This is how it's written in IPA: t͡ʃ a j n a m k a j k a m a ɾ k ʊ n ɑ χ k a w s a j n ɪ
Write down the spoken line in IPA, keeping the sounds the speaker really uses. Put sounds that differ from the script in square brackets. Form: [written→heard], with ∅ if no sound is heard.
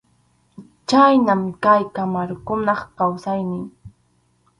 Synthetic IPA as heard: t͡ʃ a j n a m k a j k a m a ɾ k ʊ n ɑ χ k a w s a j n ɪ